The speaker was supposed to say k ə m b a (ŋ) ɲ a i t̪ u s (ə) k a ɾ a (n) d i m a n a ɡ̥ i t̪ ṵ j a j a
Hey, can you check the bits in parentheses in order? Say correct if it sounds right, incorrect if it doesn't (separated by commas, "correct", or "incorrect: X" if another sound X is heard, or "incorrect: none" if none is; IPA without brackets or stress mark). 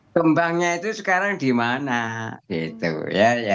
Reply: correct, correct, incorrect: ŋ